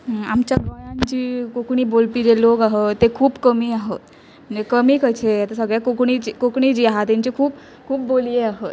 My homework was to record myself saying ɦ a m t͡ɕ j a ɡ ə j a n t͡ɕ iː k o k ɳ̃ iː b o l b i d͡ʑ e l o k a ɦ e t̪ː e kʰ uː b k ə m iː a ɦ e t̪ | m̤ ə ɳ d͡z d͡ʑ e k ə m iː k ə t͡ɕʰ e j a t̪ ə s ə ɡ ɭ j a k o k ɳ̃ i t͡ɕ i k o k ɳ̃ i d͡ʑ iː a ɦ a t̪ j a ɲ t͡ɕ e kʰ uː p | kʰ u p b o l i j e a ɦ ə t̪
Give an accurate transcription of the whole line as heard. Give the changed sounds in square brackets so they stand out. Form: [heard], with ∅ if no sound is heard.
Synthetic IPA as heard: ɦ a m t͡ɕ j a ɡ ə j a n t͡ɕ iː k o k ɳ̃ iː b o l [p] i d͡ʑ e l o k a ɦ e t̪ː e kʰ uː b k ə m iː a ɦ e t̪ | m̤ ə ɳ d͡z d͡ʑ e k ə m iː k ə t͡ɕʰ e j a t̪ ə s ə ɡ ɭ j a k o k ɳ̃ i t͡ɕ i k o k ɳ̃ i d͡ʑ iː a ɦ a t̪ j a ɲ t͡ɕ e kʰ uː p | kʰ [uː] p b o l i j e a ɦ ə t̪